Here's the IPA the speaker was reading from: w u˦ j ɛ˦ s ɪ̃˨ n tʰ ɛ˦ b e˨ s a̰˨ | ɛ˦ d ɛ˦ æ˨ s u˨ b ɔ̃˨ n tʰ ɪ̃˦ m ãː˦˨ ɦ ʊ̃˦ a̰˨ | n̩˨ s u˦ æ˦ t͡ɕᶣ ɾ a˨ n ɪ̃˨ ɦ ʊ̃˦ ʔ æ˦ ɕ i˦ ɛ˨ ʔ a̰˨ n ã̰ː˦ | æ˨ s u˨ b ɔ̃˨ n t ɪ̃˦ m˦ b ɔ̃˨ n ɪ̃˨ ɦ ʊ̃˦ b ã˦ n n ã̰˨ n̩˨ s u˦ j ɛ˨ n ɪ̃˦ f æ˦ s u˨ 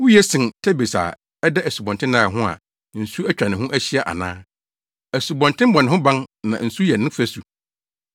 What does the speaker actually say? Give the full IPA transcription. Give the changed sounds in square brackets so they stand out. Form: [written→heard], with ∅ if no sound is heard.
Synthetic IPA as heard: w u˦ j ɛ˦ s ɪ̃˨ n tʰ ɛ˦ b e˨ s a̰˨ | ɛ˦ d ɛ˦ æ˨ s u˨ b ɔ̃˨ n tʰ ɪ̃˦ [m→n] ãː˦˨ ɦ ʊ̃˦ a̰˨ | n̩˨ s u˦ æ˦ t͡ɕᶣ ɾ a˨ n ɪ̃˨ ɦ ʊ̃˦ ʔ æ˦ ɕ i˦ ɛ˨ ʔ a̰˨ n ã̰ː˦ | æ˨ s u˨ b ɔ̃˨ n t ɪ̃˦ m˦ b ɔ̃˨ n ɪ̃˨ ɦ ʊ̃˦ b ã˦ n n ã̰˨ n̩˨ s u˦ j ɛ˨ n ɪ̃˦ f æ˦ s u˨